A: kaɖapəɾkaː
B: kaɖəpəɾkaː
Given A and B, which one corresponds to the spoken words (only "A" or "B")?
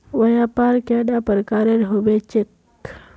A